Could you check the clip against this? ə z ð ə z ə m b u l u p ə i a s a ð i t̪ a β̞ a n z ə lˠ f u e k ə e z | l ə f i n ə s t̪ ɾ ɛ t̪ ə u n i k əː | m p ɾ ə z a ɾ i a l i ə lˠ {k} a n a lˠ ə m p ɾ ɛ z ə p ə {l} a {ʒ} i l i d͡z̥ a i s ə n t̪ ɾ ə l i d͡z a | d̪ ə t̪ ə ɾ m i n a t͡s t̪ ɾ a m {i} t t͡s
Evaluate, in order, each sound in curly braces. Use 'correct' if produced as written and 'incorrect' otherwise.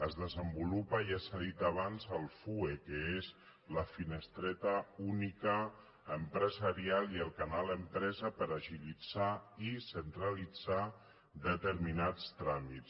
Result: correct, incorrect, correct, correct

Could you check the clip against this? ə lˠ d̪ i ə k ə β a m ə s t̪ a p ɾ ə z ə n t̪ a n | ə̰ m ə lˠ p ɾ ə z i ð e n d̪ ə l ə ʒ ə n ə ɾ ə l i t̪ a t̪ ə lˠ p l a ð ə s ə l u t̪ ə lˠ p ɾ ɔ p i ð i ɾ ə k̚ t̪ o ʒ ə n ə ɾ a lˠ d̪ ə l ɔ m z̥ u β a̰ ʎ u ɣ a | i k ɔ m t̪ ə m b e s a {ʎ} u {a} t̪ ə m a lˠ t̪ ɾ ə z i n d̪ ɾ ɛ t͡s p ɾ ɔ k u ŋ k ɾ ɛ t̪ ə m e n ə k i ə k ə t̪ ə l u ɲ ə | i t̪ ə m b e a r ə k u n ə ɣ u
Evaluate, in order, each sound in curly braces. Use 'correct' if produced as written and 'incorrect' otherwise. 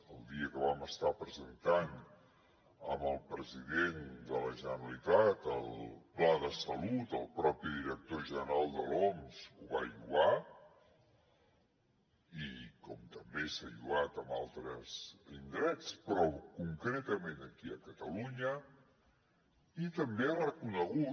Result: correct, correct

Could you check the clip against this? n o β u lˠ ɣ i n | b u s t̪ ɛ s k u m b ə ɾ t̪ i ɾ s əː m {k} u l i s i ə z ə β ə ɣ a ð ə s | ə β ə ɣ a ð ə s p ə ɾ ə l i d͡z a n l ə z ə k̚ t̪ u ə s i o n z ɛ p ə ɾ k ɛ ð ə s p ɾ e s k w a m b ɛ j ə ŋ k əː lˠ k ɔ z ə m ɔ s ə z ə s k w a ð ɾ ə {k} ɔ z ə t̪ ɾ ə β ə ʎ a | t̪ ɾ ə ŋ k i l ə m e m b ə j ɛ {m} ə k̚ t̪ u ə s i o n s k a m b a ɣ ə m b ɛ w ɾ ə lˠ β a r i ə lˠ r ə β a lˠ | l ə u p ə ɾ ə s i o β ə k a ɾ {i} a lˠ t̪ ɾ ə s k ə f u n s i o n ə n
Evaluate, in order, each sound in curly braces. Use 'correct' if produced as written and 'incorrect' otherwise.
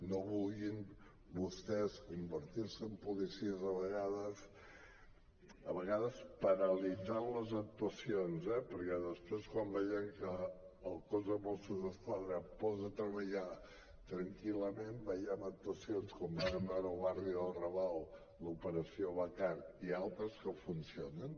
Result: incorrect, incorrect, correct, correct

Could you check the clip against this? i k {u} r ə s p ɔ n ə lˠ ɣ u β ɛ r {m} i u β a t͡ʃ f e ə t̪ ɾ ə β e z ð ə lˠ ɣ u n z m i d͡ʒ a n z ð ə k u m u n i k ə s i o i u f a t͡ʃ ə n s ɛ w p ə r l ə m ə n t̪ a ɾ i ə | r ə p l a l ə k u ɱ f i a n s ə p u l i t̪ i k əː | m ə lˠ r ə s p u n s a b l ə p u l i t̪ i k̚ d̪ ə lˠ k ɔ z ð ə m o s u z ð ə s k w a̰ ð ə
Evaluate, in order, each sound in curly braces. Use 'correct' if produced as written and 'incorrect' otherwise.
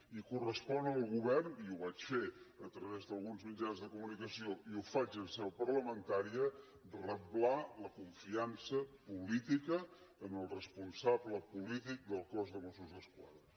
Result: correct, incorrect

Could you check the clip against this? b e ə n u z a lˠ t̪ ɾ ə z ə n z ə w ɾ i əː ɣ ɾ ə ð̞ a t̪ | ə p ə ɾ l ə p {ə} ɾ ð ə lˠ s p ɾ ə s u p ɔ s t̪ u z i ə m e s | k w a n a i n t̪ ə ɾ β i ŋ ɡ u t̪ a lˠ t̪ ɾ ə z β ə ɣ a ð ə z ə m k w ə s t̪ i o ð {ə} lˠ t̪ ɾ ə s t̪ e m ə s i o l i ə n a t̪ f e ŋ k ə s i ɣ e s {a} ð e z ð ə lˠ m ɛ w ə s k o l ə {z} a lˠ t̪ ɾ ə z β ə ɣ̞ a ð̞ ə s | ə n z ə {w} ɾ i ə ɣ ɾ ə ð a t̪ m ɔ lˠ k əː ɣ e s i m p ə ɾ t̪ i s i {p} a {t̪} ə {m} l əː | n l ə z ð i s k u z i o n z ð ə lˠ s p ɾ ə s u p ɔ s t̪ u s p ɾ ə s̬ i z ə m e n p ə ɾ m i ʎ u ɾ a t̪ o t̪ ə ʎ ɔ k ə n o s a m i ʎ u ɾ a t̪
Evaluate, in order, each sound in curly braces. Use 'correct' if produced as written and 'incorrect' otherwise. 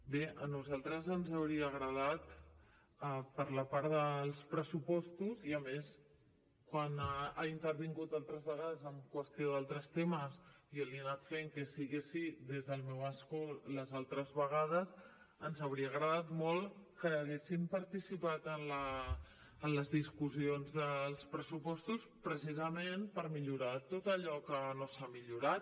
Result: incorrect, incorrect, incorrect, correct, correct, correct, correct, incorrect

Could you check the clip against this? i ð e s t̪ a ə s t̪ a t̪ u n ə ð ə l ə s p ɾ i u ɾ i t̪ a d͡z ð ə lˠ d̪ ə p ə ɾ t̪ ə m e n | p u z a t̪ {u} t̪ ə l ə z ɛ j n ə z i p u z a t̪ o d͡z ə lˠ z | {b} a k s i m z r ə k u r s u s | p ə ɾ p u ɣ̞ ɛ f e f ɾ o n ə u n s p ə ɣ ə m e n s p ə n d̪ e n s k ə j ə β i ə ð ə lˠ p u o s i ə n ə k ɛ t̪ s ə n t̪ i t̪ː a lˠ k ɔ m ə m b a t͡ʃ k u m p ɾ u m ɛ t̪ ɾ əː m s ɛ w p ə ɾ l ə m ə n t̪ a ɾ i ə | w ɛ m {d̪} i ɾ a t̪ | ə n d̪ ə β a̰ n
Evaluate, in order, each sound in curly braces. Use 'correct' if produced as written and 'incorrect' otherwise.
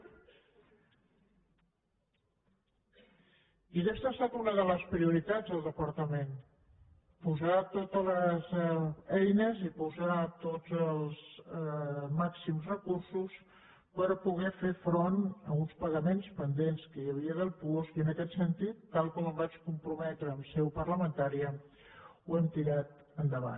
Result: incorrect, incorrect, incorrect

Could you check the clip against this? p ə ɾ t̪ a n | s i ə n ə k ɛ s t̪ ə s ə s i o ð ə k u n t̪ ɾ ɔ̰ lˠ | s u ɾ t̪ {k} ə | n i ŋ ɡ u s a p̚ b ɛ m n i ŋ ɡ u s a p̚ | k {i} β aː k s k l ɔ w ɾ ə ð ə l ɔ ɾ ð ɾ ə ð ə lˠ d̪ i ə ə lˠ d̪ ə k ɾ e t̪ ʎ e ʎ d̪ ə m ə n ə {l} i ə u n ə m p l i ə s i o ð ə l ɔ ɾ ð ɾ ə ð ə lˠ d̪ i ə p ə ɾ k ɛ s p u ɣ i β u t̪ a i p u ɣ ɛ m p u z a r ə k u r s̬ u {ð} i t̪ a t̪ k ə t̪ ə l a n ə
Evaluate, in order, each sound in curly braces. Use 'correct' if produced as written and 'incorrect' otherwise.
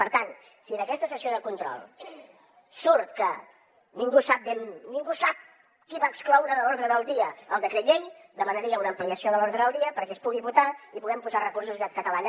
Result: correct, correct, incorrect, incorrect

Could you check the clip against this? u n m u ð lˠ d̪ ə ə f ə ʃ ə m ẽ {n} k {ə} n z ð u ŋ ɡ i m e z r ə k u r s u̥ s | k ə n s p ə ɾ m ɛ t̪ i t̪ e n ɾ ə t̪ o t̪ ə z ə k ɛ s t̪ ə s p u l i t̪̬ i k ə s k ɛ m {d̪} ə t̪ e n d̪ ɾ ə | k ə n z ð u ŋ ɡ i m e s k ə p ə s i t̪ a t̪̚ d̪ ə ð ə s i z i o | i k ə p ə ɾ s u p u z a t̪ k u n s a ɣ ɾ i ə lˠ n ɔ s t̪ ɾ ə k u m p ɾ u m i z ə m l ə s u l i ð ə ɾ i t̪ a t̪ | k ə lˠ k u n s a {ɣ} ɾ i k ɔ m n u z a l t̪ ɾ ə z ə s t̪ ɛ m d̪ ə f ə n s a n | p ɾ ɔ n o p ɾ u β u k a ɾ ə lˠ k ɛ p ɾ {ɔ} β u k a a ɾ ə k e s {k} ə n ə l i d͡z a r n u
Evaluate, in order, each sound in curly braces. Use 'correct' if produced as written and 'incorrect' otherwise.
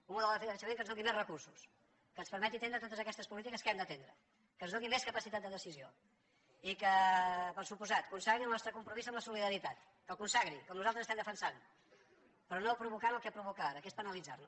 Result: incorrect, correct, correct, correct, incorrect, incorrect

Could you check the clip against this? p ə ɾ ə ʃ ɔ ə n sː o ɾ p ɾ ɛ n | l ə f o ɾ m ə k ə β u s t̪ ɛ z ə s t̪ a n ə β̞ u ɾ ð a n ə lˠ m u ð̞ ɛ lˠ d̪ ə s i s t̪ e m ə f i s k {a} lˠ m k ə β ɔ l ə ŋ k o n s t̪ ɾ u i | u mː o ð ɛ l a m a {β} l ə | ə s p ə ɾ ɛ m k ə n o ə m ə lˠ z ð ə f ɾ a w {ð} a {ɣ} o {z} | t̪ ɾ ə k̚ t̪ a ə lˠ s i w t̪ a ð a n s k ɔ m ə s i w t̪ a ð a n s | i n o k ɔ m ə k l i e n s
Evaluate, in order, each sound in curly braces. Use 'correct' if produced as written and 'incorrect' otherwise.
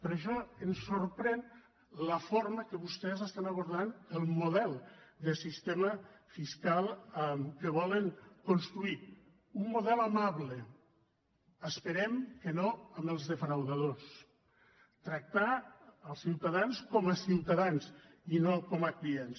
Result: correct, correct, correct, incorrect, incorrect

